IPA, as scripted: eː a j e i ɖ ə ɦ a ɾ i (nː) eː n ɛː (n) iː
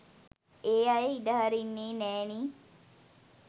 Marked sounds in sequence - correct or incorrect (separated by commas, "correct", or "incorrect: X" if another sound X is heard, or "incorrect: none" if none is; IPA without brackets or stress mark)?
correct, correct